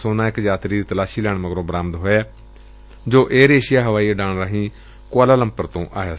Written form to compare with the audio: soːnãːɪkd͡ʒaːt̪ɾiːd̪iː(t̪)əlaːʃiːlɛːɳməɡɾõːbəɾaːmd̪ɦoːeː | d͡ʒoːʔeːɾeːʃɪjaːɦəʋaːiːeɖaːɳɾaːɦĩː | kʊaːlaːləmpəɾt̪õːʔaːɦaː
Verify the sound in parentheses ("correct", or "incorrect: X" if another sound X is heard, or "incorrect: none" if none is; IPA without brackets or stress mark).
correct